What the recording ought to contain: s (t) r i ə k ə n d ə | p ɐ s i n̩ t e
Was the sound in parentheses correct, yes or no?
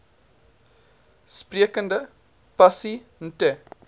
no